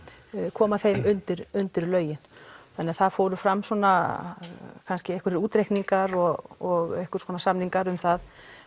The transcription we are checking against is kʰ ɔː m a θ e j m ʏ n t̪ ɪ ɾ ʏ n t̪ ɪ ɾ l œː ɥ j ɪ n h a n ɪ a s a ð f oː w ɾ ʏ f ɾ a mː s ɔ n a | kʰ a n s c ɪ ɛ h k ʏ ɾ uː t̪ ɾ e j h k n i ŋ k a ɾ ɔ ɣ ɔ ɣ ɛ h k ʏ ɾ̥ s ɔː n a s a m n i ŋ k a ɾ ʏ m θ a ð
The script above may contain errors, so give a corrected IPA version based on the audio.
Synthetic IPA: kʰ ɔː m a θ e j m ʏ n t̪ ɪ ɾ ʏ n t̪ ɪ ɾ l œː ɥ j ɪ n θ a n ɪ a θ a ð f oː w ɾ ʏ f ɾ a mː s ɔ n a | kʰ a n s c ɪ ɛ h k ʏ ɾ uː t̪ ɾ e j h k n i ŋ k a ɾ ɔ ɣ ɔ ɣ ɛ h k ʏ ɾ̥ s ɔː n a s a m n i ŋ k a ɾ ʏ m θ a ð